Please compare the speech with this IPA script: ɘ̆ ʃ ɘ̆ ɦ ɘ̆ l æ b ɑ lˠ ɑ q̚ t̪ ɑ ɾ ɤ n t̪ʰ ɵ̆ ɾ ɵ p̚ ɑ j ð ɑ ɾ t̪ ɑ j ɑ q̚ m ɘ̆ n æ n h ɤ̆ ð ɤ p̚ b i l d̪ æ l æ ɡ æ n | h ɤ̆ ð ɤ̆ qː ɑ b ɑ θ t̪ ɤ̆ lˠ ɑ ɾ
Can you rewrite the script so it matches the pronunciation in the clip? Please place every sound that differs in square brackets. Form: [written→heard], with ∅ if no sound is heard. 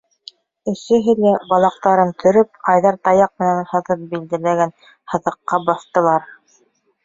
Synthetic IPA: ɘ̆ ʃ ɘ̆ ɦ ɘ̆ l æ b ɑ lˠ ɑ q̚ t̪ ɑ ɾ ɤ n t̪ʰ ɵ̆ ɾ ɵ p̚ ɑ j ð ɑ ɾ t̪ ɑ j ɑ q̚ m ɘ̆ n æ n h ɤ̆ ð ɤ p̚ b i l d̪ æ l æ ɡ æ n | h ɤ̆ ð ɤ̆ qː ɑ b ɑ θ t̪ ɤ̆ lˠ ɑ ɾ